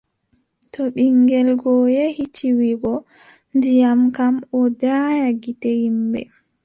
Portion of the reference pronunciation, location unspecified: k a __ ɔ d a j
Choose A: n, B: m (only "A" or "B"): B